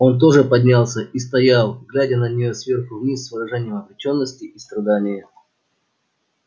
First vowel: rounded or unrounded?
rounded